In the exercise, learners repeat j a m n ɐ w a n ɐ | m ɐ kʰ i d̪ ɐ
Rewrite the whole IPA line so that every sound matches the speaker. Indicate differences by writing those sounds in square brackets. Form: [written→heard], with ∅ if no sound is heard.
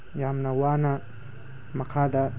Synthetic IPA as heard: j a m n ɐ w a n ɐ | m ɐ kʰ [i→a] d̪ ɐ